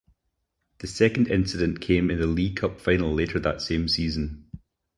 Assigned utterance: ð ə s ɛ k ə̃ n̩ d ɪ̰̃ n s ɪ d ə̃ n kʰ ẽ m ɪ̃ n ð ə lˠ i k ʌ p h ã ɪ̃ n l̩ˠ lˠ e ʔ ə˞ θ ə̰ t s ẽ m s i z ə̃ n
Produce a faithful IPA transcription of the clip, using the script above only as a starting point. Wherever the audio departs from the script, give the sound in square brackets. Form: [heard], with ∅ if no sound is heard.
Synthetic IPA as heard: ð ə s ɛ k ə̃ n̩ d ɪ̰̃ n s ɪ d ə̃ n kʰ ẽ m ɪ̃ n ð ə lˠ i [kʰ] ʌ p [f] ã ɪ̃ n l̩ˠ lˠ e ʔ ə˞ [ð] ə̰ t s ẽ m s i z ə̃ n